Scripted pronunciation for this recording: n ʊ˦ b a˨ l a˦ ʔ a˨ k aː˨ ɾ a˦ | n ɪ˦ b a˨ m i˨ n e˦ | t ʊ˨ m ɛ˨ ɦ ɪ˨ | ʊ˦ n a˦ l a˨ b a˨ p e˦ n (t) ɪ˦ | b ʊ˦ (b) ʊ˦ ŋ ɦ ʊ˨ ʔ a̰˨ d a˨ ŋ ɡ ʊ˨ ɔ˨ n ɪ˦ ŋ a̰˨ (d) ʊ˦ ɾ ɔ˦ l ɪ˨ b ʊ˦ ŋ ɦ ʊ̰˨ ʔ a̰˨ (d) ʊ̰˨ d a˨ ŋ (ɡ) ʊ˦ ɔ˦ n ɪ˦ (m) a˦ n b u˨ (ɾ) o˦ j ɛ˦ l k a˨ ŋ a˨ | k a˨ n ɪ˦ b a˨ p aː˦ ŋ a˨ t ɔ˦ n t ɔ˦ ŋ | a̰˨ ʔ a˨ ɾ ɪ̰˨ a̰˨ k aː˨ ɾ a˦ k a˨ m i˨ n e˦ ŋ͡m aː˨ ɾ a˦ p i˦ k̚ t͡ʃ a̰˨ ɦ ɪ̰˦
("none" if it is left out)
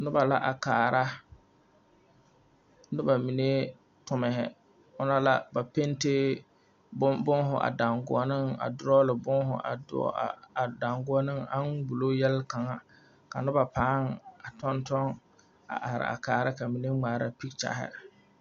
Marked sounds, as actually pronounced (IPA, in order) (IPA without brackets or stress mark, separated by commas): t, b, d, d, ɡ, ŋ, l